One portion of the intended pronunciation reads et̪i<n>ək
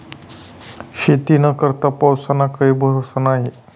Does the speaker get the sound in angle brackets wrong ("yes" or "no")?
no